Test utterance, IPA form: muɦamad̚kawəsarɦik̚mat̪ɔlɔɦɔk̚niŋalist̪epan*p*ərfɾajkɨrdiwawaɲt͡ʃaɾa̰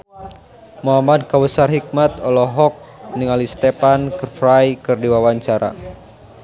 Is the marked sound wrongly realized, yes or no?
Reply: yes